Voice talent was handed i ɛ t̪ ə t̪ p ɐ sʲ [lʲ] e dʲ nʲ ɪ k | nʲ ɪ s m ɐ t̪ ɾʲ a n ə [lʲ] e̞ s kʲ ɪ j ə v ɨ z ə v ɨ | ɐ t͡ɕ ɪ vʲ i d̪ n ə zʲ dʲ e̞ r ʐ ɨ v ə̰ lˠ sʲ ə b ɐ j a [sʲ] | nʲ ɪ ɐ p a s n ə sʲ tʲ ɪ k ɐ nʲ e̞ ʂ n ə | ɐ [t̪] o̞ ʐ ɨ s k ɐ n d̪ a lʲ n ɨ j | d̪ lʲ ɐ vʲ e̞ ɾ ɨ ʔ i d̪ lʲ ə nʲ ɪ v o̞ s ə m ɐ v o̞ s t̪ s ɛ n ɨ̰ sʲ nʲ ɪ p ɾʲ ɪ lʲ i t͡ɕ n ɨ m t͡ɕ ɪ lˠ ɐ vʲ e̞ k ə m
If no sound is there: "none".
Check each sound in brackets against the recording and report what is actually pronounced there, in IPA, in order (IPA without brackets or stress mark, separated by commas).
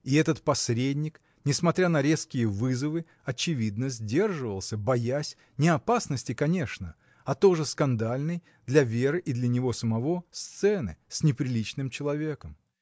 ɾʲ, ɾʲ, sʲ, t̪